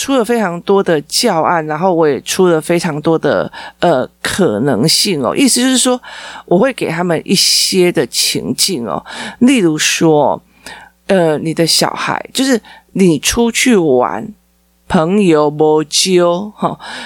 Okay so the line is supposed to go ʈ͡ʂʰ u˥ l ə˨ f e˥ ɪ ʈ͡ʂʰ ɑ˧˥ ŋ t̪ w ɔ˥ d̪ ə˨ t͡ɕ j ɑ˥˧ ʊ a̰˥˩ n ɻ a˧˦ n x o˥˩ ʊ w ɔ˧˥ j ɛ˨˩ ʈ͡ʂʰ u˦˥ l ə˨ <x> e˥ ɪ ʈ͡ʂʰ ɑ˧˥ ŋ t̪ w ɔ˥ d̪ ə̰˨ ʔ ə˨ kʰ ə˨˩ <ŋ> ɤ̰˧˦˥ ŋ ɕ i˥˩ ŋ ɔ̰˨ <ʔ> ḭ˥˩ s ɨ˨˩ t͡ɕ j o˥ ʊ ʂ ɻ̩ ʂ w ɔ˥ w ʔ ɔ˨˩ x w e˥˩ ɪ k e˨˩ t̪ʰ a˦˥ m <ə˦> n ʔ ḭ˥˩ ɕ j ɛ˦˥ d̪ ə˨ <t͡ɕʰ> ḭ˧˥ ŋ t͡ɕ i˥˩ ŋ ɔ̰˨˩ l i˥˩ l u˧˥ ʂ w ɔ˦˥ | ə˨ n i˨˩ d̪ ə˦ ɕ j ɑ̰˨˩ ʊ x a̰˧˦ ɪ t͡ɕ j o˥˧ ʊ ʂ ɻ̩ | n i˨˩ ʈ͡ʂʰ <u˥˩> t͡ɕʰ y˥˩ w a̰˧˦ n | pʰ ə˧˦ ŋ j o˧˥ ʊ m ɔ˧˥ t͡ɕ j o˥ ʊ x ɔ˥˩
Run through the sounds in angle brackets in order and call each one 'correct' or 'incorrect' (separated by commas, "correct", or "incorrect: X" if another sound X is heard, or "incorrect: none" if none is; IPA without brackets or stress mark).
incorrect: f, incorrect: n, correct, incorrect: ə˨, correct, incorrect: u˦